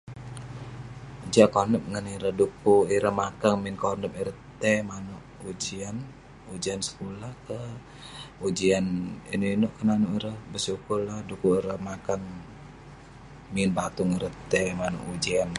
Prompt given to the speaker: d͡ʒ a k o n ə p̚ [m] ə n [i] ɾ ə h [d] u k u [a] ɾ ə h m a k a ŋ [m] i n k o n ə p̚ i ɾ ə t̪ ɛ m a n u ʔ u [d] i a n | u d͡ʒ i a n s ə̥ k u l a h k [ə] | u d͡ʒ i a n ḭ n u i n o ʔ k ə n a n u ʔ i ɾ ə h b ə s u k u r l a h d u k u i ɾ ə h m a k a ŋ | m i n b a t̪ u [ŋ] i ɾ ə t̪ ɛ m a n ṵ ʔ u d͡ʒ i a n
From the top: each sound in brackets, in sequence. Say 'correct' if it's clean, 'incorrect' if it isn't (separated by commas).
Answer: incorrect, correct, correct, incorrect, correct, incorrect, correct, correct